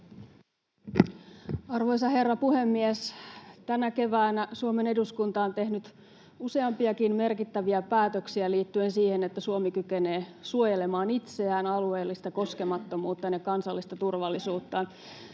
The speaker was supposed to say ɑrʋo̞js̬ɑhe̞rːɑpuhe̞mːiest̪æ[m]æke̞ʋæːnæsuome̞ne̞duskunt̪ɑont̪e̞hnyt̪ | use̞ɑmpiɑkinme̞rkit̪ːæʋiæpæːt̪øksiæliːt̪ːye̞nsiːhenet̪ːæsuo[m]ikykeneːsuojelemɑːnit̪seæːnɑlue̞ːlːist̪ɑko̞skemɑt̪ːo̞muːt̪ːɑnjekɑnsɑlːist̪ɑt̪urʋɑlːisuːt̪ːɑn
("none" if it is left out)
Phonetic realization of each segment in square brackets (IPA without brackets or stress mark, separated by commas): n, m